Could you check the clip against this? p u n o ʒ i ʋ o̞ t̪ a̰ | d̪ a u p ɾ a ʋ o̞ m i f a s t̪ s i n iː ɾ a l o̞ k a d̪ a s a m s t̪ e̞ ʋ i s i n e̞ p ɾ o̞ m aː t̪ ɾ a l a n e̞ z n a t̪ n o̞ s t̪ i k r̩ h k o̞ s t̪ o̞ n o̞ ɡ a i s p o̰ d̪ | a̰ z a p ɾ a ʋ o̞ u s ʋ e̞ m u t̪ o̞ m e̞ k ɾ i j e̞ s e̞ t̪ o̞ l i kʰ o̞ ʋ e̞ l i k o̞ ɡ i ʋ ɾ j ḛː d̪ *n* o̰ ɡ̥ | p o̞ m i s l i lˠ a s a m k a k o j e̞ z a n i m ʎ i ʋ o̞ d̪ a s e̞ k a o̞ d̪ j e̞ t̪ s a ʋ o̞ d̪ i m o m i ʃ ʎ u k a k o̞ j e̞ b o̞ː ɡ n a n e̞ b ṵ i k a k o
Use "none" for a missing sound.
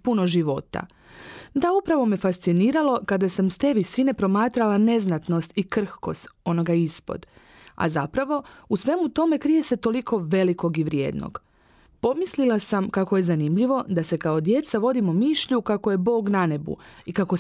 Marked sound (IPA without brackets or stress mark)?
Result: n